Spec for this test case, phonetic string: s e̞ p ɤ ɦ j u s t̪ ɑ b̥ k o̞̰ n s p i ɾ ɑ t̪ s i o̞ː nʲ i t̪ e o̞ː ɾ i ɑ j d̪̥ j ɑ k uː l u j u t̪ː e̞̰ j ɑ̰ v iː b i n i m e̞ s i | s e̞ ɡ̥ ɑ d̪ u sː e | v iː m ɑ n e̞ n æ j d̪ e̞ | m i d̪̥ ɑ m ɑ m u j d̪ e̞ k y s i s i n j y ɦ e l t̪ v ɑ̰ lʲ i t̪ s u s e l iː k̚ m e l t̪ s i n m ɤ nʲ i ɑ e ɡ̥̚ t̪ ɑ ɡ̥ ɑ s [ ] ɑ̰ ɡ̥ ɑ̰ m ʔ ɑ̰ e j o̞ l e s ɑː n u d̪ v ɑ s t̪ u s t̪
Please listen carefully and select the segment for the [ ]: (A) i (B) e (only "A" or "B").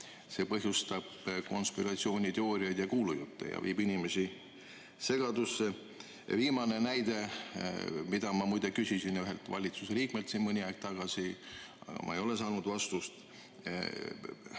A